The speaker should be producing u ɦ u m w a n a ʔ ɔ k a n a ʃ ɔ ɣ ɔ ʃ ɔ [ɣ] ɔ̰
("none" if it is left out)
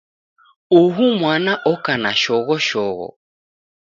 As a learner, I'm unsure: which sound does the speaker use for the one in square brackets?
ɣ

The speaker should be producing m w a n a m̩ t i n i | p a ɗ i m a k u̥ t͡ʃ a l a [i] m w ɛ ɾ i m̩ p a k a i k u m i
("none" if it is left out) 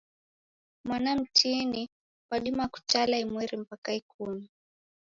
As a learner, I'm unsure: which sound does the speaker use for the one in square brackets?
i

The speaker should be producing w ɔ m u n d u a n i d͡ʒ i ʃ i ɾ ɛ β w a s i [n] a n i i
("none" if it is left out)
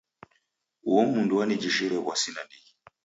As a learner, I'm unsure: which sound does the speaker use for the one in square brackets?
n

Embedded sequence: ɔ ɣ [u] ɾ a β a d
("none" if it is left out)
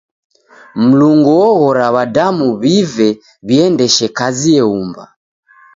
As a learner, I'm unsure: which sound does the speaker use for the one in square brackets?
ɔ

